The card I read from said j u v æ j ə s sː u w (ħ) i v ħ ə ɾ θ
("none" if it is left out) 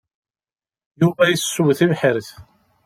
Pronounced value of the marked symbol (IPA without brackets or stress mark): θ